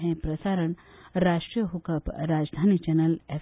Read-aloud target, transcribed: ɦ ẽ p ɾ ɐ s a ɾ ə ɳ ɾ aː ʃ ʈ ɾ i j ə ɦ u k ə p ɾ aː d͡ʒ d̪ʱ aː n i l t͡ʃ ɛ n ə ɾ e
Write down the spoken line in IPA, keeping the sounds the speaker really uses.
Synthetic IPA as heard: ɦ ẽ p ɾ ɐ s a ɾ ə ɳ ɾ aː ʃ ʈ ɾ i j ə ɦ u k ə p ɾ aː d͡ʒ d̪ʱ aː n i t͡ʃ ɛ n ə l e

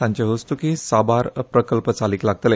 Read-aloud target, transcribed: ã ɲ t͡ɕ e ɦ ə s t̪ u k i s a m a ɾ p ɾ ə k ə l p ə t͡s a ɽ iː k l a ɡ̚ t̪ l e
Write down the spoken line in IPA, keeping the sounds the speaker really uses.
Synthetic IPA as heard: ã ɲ t͡ɕ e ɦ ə s t̪ u k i s a b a ɾ p ɾ ə k ə l p ə t͡s a l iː k l a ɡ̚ t̪ l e

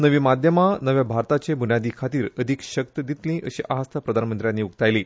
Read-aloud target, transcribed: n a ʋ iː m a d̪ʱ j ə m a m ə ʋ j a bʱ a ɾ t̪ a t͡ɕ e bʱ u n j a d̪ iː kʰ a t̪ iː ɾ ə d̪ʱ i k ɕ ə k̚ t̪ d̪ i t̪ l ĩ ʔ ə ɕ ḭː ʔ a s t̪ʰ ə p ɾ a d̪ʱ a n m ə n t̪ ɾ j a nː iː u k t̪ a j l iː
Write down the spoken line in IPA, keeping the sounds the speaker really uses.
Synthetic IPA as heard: n ə ʋ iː m a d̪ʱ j ə m a n ə ʋ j a bʱ a ɾ t̪ a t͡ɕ e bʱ u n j a d̪ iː kʰ a t̪ iː ɾ ə d̪ʱ i k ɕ ə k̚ t̪ d̪ i t̪ l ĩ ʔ ə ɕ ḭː ʔ a s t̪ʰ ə p ɾ ə d̪ʱ a n m ə n t̪ ɾ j a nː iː u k t̪ a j l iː

